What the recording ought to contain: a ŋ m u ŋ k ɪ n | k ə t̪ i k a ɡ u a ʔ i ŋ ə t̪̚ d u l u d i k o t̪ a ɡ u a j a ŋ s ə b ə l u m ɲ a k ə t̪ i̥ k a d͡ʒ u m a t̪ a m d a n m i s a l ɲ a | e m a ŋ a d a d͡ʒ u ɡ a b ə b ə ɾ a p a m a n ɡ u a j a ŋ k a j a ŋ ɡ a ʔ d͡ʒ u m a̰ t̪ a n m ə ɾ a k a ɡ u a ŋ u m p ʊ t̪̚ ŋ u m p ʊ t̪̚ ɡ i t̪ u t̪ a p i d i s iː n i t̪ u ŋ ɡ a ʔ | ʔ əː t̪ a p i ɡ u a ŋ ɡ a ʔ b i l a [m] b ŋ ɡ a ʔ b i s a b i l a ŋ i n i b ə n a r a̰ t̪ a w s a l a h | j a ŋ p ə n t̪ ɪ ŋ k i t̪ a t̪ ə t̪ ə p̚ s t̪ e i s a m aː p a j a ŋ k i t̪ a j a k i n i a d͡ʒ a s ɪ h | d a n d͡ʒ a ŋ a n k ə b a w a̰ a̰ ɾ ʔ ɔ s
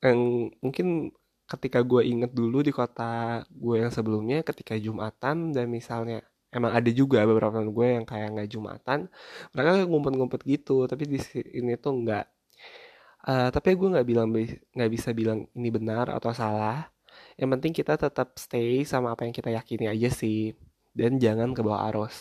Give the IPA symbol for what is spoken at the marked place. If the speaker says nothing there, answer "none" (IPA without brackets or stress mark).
ŋ